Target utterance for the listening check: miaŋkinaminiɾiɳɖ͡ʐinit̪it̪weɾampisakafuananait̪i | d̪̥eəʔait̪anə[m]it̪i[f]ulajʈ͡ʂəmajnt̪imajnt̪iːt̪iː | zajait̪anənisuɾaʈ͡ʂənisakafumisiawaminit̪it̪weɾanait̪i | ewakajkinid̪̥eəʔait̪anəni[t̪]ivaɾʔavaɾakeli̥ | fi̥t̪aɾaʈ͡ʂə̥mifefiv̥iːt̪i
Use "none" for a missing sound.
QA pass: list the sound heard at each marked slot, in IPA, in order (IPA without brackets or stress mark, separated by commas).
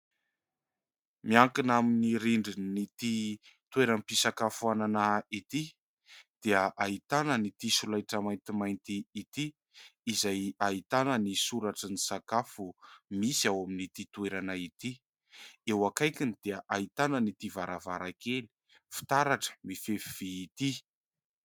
n, s, t̪